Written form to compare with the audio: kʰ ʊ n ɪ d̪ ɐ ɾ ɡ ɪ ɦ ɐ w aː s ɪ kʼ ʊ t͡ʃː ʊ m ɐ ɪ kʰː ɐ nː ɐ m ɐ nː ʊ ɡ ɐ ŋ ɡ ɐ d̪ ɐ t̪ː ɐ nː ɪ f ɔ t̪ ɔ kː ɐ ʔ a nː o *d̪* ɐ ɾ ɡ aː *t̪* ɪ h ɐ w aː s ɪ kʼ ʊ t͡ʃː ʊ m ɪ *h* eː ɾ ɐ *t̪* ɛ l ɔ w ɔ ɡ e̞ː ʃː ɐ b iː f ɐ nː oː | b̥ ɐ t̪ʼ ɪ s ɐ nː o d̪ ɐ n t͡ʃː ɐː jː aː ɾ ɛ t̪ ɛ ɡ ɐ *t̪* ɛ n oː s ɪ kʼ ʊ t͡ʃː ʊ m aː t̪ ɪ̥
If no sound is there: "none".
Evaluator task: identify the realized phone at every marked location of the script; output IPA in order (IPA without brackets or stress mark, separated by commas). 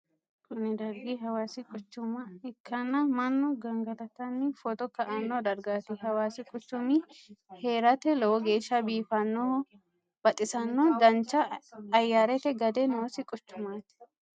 d̪, t̪, h, t̪, d̪